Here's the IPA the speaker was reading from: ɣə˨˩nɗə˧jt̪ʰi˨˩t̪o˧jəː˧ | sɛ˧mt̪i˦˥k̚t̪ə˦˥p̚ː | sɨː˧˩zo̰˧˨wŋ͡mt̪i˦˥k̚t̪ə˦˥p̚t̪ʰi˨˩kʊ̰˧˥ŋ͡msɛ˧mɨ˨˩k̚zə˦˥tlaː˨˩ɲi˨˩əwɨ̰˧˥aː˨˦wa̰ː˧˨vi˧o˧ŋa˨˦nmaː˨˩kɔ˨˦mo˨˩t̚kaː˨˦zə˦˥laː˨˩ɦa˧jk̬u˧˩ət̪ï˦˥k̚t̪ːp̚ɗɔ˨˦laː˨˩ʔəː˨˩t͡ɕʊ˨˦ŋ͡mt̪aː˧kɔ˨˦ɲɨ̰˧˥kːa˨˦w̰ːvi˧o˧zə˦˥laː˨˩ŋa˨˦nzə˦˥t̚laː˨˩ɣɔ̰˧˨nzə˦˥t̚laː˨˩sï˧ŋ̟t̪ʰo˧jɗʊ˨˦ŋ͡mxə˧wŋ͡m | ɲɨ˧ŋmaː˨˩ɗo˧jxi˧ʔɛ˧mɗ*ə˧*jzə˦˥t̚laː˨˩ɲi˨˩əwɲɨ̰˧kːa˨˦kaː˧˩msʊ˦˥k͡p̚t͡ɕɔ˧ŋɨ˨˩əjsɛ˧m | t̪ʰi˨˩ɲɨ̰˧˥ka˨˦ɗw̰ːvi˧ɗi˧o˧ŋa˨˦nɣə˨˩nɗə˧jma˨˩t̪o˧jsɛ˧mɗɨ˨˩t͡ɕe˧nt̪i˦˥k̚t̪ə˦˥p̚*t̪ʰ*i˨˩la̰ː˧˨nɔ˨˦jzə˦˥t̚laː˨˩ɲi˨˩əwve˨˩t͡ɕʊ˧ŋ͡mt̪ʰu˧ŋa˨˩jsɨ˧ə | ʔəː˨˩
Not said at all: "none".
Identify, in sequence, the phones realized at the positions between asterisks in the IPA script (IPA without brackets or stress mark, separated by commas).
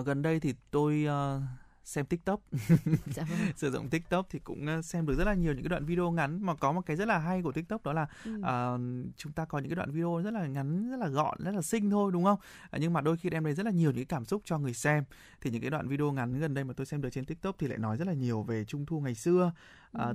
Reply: ə˧, t̪